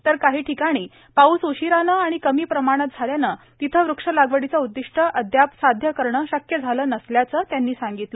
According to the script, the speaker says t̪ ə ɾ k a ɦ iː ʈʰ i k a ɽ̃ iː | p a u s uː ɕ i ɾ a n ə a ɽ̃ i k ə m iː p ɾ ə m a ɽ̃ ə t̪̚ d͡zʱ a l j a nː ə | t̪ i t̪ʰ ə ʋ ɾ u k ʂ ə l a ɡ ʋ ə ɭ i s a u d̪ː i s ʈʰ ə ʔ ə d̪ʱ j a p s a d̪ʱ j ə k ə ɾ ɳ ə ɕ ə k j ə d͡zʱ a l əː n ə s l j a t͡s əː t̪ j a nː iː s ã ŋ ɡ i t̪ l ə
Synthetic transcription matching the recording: t̪ ə ɾ k a ɦ iː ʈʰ i k a ɽ̃ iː | p a u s u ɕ i ɾ a n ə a ɽ̃ i k ə m iː p ɾ ə m a ɽ̃ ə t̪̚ d͡zʱ a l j a n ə | t̪ i t̪ʰ ə ʋ ɾ u k ʂ ə l a ɡ ʋ ə ɽ i t͡s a u d̪ː i ʂ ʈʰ ə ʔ ə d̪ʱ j a p s a d̪ʱ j ə k ə ɾ ɳ ə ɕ ə k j ə d͡zʱ a l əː n ə s l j a t͡s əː t̪ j a nː iː s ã ŋ ɡ i t̪ l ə